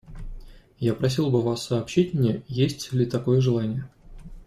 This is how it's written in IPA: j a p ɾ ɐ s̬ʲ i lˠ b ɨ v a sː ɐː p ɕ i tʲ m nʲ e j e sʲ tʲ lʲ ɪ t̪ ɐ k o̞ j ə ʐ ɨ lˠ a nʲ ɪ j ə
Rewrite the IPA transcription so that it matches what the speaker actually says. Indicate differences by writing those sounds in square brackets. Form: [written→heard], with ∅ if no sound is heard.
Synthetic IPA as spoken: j a p ɾ ɐ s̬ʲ i lˠ b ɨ v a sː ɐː p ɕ i tʲ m nʲ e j e sʲ tʲ lʲ ɪ t̪ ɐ k o̞ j ə ʐ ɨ lˠ a nʲ ɪ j ə